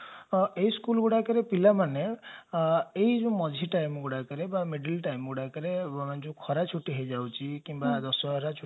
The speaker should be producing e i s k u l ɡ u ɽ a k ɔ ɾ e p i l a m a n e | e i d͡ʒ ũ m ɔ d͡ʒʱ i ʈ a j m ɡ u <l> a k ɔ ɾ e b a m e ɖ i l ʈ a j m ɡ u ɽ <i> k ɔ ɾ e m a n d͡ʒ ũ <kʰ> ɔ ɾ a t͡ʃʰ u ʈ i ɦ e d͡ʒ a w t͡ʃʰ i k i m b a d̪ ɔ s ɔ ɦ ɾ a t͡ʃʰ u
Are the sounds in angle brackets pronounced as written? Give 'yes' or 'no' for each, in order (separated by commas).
no, no, yes